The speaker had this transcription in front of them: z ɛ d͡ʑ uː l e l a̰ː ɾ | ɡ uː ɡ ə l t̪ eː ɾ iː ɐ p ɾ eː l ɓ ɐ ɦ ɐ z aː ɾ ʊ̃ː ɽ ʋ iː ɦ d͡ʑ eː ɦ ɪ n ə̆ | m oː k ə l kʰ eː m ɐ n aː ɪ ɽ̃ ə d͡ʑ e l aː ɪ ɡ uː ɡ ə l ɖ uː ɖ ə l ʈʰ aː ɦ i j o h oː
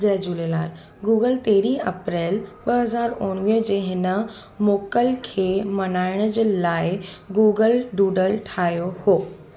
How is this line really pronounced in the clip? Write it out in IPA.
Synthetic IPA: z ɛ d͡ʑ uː l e l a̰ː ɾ | ɡ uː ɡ ə l t̪ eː ɾ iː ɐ p ɾ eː l ɓ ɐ ɦ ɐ z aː ɾ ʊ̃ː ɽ ʋ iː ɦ d͡ʑ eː ɦ ɪ n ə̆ | m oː k ə l kʰ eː m ɐ n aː ɪ ɽ̃ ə d͡ʑ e l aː ɪ ɡ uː ɡ ə l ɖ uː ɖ ə l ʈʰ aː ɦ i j o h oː